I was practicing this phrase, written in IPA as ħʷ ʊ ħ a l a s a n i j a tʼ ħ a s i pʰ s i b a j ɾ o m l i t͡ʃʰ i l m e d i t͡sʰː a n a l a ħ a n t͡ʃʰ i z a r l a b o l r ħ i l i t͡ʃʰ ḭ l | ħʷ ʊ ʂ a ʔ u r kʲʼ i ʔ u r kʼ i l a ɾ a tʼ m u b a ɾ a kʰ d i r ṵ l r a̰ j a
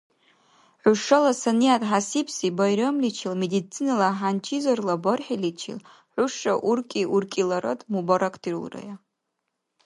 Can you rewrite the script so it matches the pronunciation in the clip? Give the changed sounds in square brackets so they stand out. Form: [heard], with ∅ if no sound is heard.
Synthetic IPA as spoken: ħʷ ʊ [ʂ] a l a s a n i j a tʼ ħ a s i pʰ s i b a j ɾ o m l i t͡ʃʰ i l m e d i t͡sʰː [i] n a l a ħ a n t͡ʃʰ i z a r l a b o [∅] r ħ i l i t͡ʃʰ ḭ l | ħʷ ʊ ʂ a ʔ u r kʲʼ i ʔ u r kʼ i l a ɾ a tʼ m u b a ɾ a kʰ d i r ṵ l r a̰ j a